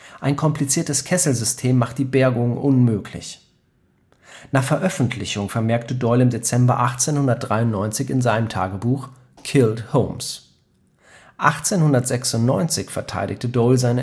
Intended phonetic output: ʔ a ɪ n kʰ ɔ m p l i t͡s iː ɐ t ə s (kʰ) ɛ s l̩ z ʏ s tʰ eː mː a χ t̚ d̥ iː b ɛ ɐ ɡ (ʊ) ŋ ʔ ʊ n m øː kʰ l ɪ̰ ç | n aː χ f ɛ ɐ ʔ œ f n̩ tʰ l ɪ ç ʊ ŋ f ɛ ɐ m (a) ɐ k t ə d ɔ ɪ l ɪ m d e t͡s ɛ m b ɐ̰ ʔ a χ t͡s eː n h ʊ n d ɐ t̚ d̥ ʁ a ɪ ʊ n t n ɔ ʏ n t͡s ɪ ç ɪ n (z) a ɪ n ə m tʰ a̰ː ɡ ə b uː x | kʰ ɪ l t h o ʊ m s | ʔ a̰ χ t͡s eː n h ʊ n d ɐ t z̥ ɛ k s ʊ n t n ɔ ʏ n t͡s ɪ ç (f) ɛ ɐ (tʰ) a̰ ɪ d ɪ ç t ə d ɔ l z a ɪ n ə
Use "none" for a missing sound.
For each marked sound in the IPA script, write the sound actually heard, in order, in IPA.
kʰ, ʊ, ɛ, z, f, tʰ

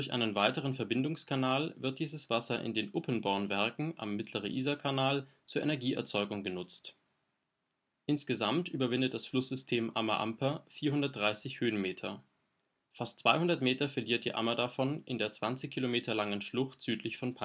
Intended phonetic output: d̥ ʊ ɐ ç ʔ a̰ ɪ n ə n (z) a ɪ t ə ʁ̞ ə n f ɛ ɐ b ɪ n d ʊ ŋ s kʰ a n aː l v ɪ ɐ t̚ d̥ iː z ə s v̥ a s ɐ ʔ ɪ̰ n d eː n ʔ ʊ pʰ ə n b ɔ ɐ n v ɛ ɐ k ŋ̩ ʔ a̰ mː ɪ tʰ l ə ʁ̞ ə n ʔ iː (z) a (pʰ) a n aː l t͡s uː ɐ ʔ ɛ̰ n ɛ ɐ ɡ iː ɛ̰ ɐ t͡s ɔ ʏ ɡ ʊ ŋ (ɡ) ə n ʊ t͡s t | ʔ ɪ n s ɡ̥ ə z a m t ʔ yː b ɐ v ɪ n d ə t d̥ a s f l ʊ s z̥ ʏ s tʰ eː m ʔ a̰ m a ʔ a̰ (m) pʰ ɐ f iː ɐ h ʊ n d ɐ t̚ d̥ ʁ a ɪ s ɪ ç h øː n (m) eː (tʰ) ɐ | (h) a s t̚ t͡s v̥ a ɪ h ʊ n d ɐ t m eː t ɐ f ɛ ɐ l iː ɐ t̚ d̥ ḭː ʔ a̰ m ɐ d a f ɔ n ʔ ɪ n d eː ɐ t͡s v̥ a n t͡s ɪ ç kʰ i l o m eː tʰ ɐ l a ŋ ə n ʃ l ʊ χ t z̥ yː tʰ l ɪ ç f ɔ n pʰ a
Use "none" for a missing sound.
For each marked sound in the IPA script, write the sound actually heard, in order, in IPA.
v, z, kʰ, ɡ, m, m, tʰ, f

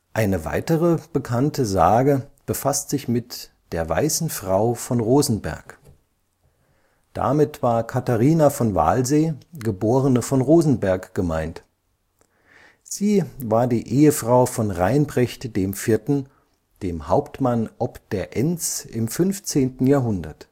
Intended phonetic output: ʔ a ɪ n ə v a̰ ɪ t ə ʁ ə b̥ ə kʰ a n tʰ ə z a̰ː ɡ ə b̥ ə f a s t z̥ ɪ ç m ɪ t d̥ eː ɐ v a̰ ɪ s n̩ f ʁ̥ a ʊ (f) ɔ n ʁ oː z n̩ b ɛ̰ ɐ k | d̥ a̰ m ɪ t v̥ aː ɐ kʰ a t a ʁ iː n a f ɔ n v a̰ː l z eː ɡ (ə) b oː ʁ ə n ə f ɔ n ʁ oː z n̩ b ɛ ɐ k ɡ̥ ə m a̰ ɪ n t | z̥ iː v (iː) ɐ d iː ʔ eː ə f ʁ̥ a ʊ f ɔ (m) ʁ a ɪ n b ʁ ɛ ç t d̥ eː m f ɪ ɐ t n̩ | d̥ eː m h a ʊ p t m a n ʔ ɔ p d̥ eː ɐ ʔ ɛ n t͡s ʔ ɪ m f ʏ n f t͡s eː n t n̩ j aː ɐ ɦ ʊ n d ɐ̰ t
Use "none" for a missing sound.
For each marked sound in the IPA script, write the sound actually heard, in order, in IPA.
f, ə, aː, n

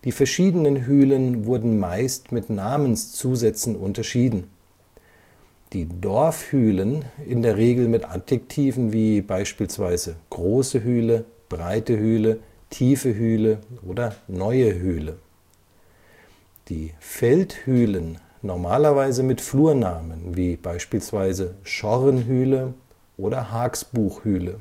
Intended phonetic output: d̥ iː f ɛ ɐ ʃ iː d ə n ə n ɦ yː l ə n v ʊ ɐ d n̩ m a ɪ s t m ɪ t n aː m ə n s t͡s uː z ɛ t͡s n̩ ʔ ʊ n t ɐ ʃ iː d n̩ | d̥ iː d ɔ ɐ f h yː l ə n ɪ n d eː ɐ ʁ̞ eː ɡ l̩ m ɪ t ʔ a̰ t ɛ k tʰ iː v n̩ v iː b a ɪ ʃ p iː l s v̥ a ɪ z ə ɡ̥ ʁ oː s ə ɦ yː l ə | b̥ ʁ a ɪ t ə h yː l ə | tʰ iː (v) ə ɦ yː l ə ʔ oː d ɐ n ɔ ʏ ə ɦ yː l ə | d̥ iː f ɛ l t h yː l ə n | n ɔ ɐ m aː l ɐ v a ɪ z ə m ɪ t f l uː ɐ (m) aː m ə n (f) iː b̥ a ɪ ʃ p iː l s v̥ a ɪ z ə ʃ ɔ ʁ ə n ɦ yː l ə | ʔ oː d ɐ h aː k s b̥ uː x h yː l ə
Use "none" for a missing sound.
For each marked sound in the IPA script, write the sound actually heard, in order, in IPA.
f, n, v

